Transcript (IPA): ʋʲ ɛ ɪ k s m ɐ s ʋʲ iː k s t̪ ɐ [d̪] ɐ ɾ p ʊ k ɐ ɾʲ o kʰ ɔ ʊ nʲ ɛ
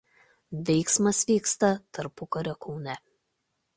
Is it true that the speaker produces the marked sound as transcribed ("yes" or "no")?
no